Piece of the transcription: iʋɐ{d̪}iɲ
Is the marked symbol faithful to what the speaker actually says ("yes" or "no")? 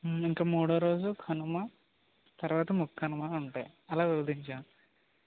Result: yes